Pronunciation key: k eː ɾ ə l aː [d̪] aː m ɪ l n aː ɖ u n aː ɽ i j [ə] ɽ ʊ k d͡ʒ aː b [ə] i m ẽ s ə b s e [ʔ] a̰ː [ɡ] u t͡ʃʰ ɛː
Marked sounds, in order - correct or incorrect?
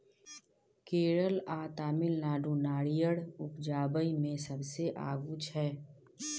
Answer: incorrect, correct, correct, correct, correct

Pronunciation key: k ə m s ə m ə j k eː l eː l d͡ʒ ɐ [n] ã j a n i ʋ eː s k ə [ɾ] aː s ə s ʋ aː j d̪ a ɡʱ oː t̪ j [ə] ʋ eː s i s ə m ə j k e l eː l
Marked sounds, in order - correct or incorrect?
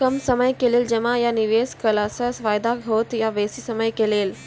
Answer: incorrect, incorrect, incorrect

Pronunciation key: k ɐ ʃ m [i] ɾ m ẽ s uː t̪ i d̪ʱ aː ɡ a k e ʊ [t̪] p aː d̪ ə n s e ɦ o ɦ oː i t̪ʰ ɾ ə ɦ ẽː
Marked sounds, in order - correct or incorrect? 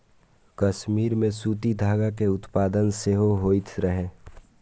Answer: incorrect, correct

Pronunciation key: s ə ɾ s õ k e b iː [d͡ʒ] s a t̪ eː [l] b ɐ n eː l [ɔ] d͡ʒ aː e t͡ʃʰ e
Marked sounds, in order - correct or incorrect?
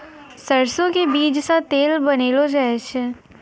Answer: correct, correct, incorrect

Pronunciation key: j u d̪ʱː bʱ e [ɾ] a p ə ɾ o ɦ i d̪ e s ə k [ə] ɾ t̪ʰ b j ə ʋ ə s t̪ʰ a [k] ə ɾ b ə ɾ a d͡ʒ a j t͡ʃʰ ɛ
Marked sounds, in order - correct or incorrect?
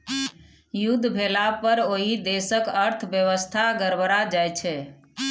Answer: incorrect, correct, incorrect

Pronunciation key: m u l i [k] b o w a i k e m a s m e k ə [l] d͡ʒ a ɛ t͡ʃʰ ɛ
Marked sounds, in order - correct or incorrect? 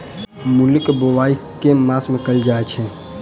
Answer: correct, correct

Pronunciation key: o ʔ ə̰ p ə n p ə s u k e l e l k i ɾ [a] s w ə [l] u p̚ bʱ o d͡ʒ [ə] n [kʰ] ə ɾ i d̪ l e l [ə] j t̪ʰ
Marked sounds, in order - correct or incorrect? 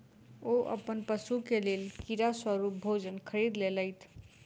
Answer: correct, incorrect, correct, correct, correct

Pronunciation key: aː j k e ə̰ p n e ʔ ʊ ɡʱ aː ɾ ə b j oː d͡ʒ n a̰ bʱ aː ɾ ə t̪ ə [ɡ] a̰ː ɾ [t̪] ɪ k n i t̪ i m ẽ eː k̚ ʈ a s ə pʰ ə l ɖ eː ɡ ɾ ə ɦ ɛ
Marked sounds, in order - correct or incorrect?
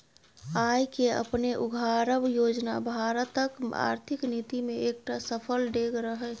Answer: incorrect, incorrect

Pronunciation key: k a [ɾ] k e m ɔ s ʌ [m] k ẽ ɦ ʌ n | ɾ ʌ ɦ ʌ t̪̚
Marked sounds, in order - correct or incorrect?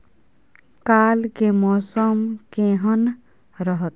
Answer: incorrect, correct

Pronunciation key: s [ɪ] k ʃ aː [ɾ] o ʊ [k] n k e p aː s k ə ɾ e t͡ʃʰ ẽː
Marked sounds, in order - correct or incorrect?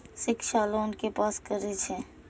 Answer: correct, incorrect, incorrect

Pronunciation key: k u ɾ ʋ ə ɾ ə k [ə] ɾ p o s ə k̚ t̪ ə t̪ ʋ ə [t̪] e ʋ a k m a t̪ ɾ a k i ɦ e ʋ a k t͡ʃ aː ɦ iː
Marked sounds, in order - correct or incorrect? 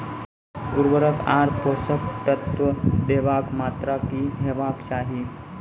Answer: incorrect, incorrect

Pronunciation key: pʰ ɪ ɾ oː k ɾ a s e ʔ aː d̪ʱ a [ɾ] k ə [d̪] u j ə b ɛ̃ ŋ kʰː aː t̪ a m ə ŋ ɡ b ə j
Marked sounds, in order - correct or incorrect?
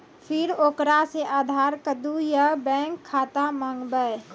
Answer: correct, correct

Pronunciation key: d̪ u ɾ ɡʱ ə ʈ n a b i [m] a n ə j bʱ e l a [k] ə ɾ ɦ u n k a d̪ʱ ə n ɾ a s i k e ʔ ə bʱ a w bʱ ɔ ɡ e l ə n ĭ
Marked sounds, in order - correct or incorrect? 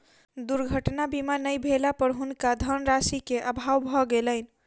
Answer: correct, incorrect

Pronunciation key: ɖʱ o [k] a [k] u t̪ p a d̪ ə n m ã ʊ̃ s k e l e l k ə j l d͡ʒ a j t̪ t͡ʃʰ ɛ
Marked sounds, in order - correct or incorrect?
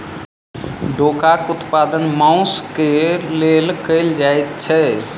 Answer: correct, correct

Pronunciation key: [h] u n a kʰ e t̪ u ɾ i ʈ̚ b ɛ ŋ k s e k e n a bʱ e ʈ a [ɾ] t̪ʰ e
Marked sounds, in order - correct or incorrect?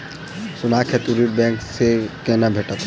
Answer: incorrect, incorrect

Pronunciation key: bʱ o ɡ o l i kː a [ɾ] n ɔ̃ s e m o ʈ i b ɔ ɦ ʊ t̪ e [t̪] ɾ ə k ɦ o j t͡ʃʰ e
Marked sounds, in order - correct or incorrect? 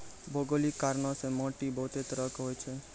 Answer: correct, correct

